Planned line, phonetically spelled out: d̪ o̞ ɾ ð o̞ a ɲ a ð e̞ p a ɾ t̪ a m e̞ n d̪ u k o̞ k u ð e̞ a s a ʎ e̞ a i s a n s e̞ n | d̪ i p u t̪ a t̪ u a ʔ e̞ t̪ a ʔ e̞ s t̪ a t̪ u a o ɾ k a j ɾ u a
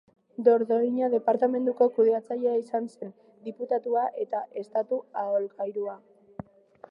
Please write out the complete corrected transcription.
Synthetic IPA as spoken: d̪ o̞ ɾ ð o̞ i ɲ a ð e̞ p a ɾ t̪ a m e̞ n d̪ u k o̞ k u ð e̞ a t͡s a ʎ e̞ a i s a n s e̞ n | d̪ i p u t̪ a t̪ u a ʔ e̞ t̪ a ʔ e̞ s t̪ a t̪ u a o l k a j ɾ u a

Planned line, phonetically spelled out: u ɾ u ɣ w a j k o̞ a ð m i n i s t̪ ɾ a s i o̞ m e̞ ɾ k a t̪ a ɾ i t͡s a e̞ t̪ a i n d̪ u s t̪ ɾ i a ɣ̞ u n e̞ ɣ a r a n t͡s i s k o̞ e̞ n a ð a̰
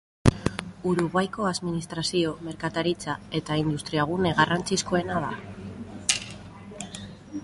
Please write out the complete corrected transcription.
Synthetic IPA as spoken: u ɾ u ɣ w a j k o̞ a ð m i n i s t̪ ɾ a s i o̞ m e̞ ɾ k a t̪ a ɾ i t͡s a e̞ t̪ a i n d̪ u s t̪ ɾ i a ɣ̞ u n e̞ ɣ a r a n t͡s i s k o̞ e̞ n a ð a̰

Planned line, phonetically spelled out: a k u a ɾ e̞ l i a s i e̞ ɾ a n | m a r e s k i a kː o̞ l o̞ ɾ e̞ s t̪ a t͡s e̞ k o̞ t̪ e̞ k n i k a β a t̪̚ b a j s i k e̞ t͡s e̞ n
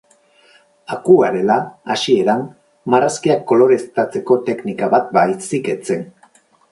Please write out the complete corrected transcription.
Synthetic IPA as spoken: a k u a ɾ e̞ l a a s i e̞ ɾ a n | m a r a s k i a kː o̞ l o̞ ɾ e̞ s t̪ a t͡s e̞ k o̞ t̪ e̞ k n i k a β a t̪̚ b a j s i k e̞ t͡s e̞ n

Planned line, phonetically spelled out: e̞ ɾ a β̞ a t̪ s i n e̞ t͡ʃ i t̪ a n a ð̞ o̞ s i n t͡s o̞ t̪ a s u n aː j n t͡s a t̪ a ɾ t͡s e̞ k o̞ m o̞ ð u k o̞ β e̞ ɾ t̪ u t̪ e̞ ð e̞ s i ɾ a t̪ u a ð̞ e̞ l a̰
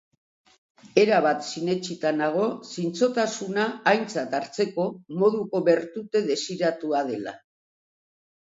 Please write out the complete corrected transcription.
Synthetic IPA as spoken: e̞ ɾ a β̞ a t̪ s i n e̞ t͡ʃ i t̪ a n a ɣ̞ o̞ s i n t͡s o̞ t̪ a s u n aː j n t͡s a t̪ a ɾ t͡s e̞ k o̞ m o̞ ð u k o̞ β e̞ ɾ t̪ u t̪ e̞ ð e̞ s i ɾ a t̪ u a ð̞ e̞ l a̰

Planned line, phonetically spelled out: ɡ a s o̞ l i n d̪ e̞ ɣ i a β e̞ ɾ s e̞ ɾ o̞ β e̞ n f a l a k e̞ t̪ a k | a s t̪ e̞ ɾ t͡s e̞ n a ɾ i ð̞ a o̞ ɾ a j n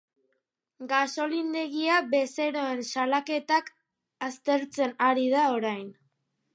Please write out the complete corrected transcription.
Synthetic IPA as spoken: ɡ a s o̞ l i n d̪ e̞ ɣ i a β e̞ s e̞ ɾ o̞ e̞ n s a l a k e̞ t̪ a k | a s t̪ e̞ ɾ t͡s e̞ n a ɾ i ð̞ a o̞ ɾ a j n

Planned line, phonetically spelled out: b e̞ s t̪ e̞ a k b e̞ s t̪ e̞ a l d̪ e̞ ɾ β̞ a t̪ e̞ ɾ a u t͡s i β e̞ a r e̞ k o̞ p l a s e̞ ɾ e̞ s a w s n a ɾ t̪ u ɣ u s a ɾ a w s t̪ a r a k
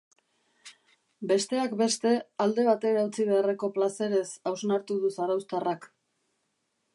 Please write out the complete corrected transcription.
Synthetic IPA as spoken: b e̞ s t̪ e̞ a k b e̞ s t̪ e̞ a l d̪ e̞ β̞ a t̪ e̞ ɾ a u t͡s i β e̞ a r e̞ k o̞ p l a s e̞ ɾ e̞ s a w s n a ɾ t̪ u ð u s a ɾ a w s t̪ a r a k

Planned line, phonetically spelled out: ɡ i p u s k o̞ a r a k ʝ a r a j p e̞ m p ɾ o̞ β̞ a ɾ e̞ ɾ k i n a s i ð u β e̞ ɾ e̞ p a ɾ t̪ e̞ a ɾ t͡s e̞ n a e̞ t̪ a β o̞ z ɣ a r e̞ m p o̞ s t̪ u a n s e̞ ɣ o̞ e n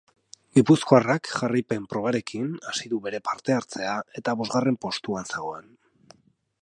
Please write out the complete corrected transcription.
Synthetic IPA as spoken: ɡ i p u s k o̞ a r a k ʝ a r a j p e̞ m p ɾ o̞ β̞ a ɾ e̞ k i n a s i ð u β e̞ ɾ e̞ p a ɾ t̪ e̞ a ɾ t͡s e̞ a e̞ t̪ a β o̞ z ɣ a r e̞ m p o̞ s t̪ u a n s e̞ ɣ o̞ e n

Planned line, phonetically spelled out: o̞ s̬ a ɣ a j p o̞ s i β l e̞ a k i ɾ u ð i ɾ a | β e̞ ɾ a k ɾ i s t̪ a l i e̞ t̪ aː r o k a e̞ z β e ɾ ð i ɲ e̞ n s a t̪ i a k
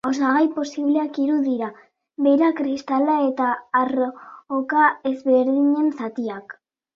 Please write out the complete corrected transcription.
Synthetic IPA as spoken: o̞ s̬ a ɣ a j p o̞ s i β l e̞ a k i ɾ u ð i ɾ a | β e̞ ɾ a k ɾ i s t̪ a l a e̞ t̪ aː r o k a e̞ z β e ɾ ð i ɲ e̞ n s a t̪ i a k

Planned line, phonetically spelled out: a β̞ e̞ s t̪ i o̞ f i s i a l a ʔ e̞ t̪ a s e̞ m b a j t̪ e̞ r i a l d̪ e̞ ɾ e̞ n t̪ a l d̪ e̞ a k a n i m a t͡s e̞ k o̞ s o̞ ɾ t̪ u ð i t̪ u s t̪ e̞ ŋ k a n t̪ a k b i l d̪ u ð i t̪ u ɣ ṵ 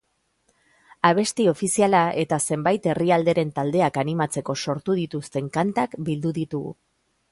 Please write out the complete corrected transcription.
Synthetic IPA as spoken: a β̞ e̞ s t̪ i o̞ f i s i a l a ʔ e̞ t̪ a s e̞ m b a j t̪ e̞ r i a l d̪ e̞ ɾ e̞ n t̪ a l d̪ e̞ a k a n i m a t͡s e̞ k o̞ s o̞ ɾ t̪ u ð i t̪ u s t̪ e̞ ŋ k a n t̪ a k b i l d̪ u ð i t̪ u ɣ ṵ

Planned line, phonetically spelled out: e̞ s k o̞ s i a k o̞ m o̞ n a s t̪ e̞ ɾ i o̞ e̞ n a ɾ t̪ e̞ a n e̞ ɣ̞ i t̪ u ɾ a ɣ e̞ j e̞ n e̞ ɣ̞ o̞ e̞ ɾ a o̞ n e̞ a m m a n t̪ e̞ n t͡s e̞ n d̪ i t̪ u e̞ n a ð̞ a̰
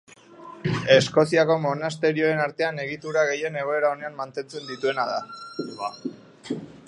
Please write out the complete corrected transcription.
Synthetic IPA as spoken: e̞ s k o̞ s i a k o̞ m o̞ n a s t̪ e̞ ɾ i o̞ e̞ n a ɾ t̪ e̞ a n e̞ ɣ̞ i t̪ u ɾ a ɣ e̞ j e̞ n e̞ ɣ̞ o̞ e̞ ɾ a o̞ n e̞ a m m a n t̪ e̞ n t͡s e̞ n d̪ i t̪ u e̞ n a ð̞ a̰

